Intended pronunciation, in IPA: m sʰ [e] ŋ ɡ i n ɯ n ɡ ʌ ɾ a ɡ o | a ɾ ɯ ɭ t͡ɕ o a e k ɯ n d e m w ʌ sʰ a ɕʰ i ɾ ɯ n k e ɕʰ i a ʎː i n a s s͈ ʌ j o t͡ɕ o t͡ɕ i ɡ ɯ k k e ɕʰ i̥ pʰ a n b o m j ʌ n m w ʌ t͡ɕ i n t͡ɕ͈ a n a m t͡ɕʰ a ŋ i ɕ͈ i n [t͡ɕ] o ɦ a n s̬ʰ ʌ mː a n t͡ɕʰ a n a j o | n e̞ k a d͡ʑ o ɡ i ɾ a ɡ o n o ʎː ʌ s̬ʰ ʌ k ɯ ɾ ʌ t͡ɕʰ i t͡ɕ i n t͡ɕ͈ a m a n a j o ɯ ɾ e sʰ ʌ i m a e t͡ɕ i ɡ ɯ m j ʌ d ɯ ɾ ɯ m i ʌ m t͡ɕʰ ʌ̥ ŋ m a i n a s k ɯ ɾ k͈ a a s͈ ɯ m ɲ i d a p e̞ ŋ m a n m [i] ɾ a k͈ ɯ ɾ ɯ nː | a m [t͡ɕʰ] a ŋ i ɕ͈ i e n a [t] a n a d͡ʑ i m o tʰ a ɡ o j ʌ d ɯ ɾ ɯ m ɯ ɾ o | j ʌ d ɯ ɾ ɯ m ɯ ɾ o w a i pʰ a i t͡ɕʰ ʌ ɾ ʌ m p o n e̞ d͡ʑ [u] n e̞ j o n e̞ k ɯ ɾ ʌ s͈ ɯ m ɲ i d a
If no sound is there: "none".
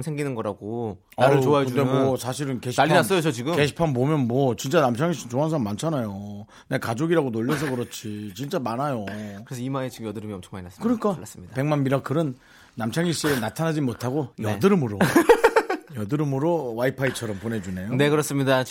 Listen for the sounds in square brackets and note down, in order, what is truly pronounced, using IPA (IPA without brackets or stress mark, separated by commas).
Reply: e, t͡ɕ, i, t͡ɕʰ, tʰ, u